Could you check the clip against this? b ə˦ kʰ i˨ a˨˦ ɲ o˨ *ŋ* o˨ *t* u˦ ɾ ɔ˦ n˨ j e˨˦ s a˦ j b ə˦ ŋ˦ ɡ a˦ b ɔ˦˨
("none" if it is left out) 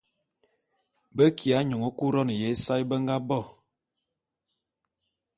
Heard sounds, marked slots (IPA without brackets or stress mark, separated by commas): ŋ, k